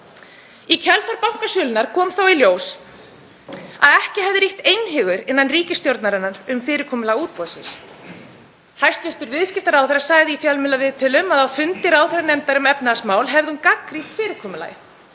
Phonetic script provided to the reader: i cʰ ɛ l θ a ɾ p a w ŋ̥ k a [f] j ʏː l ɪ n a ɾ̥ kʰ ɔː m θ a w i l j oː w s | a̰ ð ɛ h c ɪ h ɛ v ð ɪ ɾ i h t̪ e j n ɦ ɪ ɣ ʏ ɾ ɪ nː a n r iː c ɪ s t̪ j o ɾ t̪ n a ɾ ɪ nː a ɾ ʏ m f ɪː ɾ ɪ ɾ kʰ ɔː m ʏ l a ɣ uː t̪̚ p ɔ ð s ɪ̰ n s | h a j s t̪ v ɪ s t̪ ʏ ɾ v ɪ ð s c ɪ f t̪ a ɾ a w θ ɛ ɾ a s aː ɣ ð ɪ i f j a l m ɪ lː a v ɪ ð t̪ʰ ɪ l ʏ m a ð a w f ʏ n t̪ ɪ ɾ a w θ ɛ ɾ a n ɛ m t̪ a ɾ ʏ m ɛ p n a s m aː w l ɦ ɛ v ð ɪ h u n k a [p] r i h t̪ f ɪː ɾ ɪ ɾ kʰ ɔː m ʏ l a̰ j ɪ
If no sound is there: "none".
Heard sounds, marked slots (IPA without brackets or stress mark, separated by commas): s, k